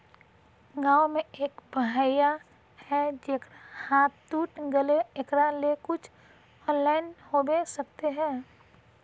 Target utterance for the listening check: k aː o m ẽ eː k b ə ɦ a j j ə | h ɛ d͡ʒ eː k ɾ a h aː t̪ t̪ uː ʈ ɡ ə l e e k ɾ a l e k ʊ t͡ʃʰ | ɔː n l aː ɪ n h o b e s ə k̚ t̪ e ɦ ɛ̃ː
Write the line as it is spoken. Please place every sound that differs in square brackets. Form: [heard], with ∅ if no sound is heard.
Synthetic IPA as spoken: [ɡ] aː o m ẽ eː k b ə ɦ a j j [a] | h ɛ d͡ʒ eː k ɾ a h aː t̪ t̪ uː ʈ ɡ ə l e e k ɾ a l e k ʊ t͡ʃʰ | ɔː n l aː ɪ n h o b e s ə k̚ t̪ e ɦ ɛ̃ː